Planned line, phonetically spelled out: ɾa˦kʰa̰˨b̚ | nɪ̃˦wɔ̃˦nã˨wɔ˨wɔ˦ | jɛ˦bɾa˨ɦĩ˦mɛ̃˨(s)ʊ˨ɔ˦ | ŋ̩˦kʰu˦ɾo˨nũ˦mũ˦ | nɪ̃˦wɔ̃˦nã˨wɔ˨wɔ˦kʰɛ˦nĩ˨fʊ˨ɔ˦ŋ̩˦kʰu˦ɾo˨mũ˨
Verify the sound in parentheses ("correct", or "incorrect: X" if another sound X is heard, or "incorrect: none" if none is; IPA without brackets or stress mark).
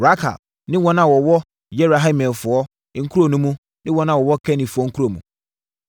incorrect: f